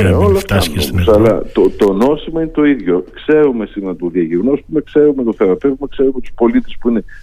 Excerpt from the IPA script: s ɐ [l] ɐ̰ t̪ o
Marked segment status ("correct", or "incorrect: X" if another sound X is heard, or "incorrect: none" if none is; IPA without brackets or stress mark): correct